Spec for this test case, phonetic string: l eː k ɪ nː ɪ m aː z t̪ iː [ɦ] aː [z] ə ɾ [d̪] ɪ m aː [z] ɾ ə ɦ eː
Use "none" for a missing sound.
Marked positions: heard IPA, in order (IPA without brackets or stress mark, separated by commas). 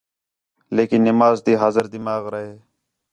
ɦ, z, d̪, ɣ